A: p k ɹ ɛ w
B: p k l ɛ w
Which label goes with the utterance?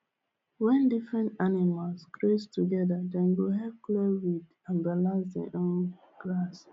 B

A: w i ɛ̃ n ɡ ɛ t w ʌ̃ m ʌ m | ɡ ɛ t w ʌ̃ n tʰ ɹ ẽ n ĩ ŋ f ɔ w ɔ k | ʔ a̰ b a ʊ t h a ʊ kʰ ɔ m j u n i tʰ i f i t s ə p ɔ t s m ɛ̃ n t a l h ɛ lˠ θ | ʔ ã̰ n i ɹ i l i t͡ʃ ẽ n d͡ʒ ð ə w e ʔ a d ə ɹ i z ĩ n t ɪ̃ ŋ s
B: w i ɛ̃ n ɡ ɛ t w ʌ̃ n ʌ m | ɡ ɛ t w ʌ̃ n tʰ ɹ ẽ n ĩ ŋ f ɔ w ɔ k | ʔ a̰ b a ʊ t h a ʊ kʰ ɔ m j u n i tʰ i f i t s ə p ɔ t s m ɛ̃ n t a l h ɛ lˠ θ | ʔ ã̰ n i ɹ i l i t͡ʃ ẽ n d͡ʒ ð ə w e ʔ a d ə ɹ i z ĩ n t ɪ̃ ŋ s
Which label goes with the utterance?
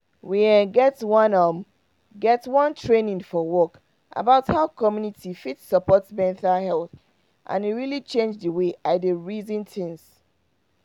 B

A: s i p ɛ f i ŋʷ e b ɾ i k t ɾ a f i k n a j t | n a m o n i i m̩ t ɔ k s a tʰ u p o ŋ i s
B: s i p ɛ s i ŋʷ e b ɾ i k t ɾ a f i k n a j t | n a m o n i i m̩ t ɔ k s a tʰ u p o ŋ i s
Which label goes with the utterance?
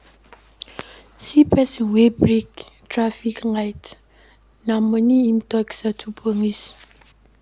B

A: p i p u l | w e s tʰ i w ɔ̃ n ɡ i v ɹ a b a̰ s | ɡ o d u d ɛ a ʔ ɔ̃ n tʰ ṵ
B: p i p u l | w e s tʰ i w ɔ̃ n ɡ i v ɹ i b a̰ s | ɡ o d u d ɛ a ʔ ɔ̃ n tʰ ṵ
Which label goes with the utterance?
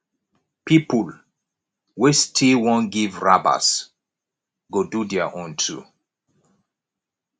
A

